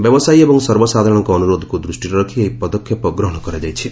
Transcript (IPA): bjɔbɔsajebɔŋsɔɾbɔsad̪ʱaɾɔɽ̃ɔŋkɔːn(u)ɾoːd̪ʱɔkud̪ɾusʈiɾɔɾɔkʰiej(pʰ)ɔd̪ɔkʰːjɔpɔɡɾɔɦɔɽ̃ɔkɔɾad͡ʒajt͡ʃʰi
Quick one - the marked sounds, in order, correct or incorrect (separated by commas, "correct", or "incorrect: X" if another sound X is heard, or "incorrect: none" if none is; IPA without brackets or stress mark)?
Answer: correct, incorrect: p